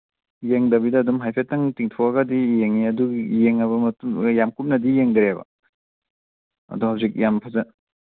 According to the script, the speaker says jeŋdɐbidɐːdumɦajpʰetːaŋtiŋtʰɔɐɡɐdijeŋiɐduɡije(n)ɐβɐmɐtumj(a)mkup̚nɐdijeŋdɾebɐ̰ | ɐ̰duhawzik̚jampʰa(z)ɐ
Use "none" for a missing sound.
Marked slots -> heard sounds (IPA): ŋ, a, z

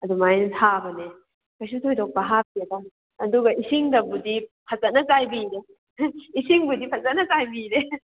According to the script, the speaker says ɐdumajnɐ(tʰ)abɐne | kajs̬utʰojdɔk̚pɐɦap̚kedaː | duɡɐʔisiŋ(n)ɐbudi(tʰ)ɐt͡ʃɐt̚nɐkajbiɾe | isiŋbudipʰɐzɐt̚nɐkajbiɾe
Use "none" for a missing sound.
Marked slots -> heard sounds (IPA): tʰ, d, pʰ

